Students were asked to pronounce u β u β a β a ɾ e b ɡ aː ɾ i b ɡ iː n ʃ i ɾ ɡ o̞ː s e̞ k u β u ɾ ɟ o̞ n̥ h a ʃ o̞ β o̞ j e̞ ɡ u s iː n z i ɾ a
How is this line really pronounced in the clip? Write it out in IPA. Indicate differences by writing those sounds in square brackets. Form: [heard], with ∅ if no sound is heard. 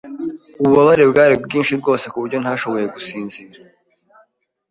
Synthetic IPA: u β u β a β a ɾ e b ɡ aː ɾ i b ɡ iː n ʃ i ɾ ɡ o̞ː s e̞ k u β u ɾ ɟ o̞ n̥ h a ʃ o̞ β o̞ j e̞ ɡ u s iː n z i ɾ a